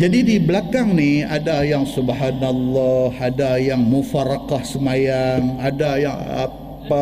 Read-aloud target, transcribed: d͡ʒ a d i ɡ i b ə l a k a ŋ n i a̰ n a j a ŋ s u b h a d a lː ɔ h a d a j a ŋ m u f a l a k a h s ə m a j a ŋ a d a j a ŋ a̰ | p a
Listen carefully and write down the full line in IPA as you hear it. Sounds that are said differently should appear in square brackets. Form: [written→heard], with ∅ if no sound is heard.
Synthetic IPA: d͡ʒ a d i [ɡ→d] i b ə l a k a ŋ n i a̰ [n→d] a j a ŋ s u b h a [d→n] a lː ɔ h a d a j a ŋ m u f a [l→ɾ] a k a h s ə m a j a ŋ a d a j a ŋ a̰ | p a